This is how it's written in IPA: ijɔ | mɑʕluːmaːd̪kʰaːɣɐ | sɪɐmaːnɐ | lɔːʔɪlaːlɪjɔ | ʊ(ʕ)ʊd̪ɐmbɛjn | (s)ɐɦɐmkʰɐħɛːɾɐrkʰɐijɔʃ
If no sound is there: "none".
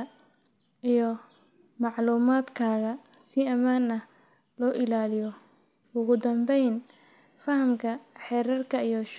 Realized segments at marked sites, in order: ɣ, f

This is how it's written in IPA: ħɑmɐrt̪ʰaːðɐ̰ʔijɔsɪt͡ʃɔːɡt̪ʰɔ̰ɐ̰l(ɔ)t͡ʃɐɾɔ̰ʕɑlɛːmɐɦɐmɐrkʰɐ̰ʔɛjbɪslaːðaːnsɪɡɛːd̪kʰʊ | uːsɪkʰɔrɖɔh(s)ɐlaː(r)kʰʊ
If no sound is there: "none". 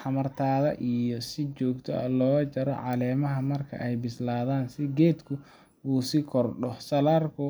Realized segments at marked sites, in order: ɔː, s, r

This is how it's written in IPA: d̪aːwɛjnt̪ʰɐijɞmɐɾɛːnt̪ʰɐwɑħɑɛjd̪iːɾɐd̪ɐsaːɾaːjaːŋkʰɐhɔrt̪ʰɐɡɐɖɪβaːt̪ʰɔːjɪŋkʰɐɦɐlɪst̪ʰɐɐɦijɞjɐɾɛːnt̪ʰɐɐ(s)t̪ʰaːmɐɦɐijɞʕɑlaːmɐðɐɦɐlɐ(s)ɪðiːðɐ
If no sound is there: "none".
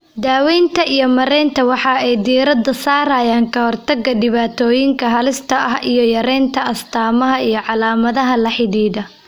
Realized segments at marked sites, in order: s, ħ

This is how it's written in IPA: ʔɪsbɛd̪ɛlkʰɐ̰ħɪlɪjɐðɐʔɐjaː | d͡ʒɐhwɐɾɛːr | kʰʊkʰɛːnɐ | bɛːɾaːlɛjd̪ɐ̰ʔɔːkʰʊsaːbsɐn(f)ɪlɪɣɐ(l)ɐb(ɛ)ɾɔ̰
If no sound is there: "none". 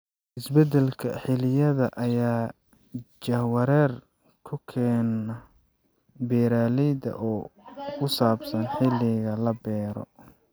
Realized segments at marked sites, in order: ħ, l, ɛː

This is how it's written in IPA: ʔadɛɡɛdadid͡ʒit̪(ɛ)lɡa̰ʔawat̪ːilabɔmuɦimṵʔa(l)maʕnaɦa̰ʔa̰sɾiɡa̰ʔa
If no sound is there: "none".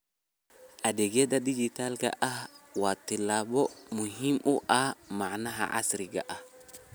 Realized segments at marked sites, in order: a, none

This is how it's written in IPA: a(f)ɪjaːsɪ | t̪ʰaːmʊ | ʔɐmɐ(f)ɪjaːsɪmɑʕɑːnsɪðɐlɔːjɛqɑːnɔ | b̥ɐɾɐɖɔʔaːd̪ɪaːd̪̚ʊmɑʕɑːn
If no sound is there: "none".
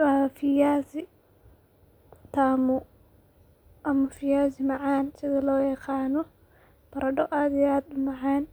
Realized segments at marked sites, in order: f, f

